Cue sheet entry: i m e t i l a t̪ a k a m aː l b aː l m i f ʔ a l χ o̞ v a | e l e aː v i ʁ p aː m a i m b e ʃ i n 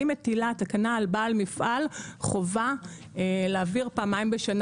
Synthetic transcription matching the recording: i m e t i l a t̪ a k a n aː l b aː l m i f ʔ a l χ o̞ v a | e l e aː v i ʁ p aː m a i m b e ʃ a n